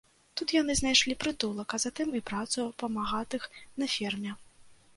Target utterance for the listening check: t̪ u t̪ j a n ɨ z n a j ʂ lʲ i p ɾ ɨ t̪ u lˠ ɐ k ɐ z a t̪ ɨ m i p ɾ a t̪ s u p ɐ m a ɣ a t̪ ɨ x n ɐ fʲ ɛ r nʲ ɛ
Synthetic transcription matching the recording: t̪ u t̪ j a n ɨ z n a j ʂ lʲ i p ɾ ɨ t̪ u lˠ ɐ k ɐ z a t̪ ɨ m i p ɾ a t̪ s u p ɐ m a ɣ a t̪ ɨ x n ɐ fʲ ɛ r mʲ ɛ

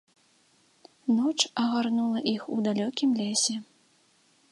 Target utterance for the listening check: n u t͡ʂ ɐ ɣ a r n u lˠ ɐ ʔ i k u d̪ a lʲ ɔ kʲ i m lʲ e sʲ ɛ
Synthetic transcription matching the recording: n ɔ t͡ʂ ɐ ɣ a r n u lˠ ɐ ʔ i x u d̪ a lʲ ɔ kʲ i m lʲ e sʲ ɛ

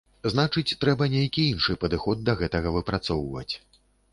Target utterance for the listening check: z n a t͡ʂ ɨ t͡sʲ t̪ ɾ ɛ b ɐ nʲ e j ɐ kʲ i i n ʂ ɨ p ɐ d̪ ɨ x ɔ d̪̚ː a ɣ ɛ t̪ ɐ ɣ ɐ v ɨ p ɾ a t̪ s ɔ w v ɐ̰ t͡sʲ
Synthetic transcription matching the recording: z n a t͡ʂ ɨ t͡sʲ t̪ ɾ ɛ b ɐ nʲ e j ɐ kʲ i i n ʂ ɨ p ɐ d̪ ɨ x ɔ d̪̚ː ɐ ɣ ɛ t̪ ɐ ɣ ɐ v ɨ p ɾ a t̪ s ɔ w v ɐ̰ t͡sʲ

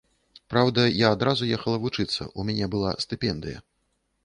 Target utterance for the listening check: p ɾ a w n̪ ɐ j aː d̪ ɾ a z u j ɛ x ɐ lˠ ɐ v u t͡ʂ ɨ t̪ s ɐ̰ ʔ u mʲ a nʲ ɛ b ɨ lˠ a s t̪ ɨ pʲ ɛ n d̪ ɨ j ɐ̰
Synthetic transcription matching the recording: p ɾ a w d̪ ɐ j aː d̪ ɾ a z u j ɛ x ɐ lˠ ɐ v u t͡ʂ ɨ t̪ sː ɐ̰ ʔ u mʲ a nʲ ɛ b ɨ lˠ a s t̪ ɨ pʲ ɛ n d̪ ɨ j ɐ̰

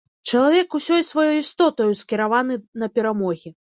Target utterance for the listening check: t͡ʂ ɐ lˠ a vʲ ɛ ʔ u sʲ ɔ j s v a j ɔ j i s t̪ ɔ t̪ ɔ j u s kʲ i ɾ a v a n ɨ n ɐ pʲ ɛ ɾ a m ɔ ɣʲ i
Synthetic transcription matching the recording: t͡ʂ ɐ lˠ a vʲ ɛ k u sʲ ɔ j s v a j ɔ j i s t̪ ɔ t̪ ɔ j u s kʲ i ɾ a v a n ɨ n ɐ pʲ ɛ ɾ a m ɔ ɣʲ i

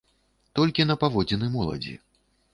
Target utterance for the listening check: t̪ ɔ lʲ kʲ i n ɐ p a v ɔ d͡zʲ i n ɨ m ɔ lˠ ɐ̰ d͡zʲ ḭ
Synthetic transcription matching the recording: t̪ ɔ lʲ kʲ i n ɐ p a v ɔ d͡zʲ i n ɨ m ɔ lˠ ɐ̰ d͡zʲ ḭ

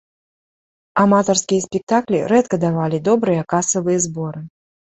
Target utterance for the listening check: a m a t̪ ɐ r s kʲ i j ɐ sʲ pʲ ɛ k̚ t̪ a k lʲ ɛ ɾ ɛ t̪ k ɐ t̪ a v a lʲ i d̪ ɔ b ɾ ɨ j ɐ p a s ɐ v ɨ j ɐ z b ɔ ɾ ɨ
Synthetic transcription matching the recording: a m a t̪ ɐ r s kʲ i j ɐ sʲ pʲ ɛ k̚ t̪ a k lʲ i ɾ ɛ t̪ k ɐ d̪ a v a lʲ i d̪ ɔ b ɾ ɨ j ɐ k a s ɐ v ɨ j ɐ z b ɔ ɾ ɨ

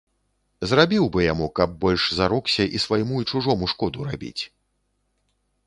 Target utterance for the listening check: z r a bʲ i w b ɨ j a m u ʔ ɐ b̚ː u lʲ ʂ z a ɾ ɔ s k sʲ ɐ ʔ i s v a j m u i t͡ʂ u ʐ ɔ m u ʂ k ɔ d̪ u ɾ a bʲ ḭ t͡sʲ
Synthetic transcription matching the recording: z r a bʲ i w b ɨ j a m u k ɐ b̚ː ɔ lʲ ʂ z a ɾ ɔ k sʲ ɐ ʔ i s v a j m u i t͡ʂ u ʐ ɔ m u ʂ k ɔ d̪ u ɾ a bʲ ḭ t͡sʲ

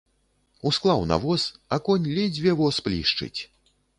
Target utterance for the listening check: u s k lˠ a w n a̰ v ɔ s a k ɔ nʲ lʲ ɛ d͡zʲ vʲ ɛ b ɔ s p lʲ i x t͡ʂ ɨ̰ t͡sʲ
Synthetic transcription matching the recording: u s k lˠ a w n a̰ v ɔ s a k ɔ nʲ lʲ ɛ d͡zʲ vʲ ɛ v ɔ s p lʲ i ʂ t͡ʂ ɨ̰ t͡sʲ

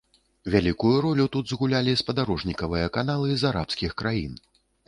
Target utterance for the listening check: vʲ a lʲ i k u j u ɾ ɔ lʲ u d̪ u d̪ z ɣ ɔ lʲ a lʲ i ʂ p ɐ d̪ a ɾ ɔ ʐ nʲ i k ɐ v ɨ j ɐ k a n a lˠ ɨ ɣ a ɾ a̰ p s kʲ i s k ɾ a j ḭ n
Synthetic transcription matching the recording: vʲ a lʲ i k u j u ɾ ɔ lʲ u t̪ u d̪ z ɣ u lʲ a lʲ i s p ɐ d̪ a ɾ ɔ ʐ nʲ i k ɐ v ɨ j ɐ k a n a lˠ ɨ z a ɾ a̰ p s kʲ i x k ɾ a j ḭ n

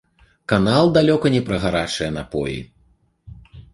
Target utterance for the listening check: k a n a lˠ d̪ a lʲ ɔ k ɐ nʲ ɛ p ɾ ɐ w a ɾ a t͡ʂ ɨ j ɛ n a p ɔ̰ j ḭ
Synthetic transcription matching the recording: k a n a lˠ d̪ a lʲ ɔ k ɐ nʲ ɛ p ɾ ɐ ɣ a ɾ a t͡ʂ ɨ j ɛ n a p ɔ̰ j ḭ

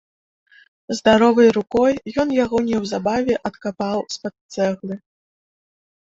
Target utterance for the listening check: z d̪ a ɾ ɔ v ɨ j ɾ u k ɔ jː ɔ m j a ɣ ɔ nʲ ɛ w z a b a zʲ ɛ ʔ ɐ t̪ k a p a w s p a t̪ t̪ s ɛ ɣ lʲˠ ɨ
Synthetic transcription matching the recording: z d̪ a ɾ ɔ v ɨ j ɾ u k ɔ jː ɔ n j a ɣ ɔ nʲ ɛ w z a b a vʲ ɛ ʔ ɐ t̪ k a p a w s p a t̪ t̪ s ɛ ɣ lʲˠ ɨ

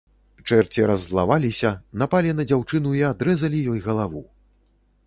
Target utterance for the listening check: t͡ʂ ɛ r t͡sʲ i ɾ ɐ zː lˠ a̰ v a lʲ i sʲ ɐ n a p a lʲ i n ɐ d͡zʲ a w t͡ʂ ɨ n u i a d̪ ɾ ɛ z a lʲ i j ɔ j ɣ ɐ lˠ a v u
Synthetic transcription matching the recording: t͡ʂ ɛ r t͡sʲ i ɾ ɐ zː lˠ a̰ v a lʲ i sʲ ɐ n a p a lʲ i n ɐ d͡zʲ a w t͡ʂ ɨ n u i a d̪ ɾ ɛ z ɐ lʲ i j ɔ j ɣ ɐ lˠ a v u

